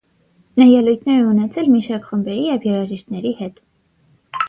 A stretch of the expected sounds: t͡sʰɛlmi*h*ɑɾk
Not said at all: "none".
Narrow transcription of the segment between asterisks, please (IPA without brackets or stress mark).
ʃ